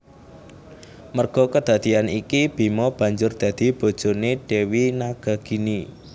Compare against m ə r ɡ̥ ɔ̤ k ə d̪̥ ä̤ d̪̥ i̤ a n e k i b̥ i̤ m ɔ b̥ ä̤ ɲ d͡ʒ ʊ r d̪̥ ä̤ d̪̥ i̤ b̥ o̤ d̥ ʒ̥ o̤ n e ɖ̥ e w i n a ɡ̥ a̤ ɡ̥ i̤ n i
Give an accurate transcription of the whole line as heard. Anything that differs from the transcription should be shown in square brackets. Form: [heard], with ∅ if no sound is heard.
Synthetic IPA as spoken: m ə r ɡ̥ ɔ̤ k ə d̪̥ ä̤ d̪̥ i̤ a n [i] k i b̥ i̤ m ɔ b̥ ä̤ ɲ d͡ʒ ʊ r d̪̥ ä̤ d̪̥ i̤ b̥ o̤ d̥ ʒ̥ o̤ n e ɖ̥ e w i n a ɡ̥ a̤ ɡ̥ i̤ n i